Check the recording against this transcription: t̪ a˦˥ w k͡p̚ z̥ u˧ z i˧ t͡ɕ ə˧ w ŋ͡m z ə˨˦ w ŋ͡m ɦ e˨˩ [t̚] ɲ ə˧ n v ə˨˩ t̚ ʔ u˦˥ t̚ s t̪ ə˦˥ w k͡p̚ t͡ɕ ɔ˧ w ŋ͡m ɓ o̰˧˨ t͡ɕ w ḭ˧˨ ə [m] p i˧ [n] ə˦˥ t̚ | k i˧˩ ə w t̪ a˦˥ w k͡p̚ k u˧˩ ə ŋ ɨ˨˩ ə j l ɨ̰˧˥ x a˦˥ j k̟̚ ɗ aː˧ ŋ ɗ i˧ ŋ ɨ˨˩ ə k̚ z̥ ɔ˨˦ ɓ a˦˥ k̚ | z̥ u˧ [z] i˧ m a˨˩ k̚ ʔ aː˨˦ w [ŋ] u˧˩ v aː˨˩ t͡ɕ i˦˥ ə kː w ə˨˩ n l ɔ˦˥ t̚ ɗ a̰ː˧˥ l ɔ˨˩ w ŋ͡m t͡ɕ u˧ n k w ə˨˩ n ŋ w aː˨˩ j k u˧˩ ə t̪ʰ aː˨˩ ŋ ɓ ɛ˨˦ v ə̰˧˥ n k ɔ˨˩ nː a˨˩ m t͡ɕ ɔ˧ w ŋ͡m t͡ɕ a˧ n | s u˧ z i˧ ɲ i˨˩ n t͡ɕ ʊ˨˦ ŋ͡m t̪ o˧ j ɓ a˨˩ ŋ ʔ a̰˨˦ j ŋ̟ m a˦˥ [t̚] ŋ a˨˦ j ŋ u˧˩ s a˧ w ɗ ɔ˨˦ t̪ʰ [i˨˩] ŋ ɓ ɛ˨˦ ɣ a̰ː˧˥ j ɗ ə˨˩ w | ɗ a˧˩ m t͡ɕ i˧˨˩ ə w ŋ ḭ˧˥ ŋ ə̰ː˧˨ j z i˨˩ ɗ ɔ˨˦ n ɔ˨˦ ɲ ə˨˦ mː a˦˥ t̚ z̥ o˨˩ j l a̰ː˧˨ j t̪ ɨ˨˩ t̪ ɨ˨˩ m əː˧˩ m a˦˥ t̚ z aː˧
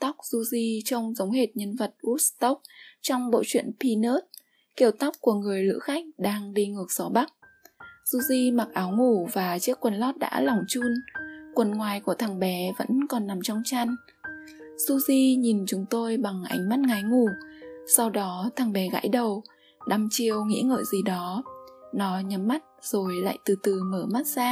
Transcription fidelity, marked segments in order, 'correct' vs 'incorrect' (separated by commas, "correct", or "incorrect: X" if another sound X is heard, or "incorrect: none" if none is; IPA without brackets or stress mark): correct, incorrect: n, correct, correct, correct, correct, incorrect: a˨˩